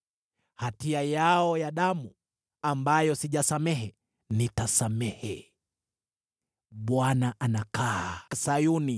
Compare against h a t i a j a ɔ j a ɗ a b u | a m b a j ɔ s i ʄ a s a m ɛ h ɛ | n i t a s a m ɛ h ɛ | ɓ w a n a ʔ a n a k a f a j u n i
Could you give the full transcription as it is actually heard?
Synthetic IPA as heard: h a t i a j a ɔ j a ɗ a m u | a m b a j ɔ s i ʄ a s a m ɛ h ɛ | n i t a s a m ɛ h ɛ | ɓ w a n a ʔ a n a k a s a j u n i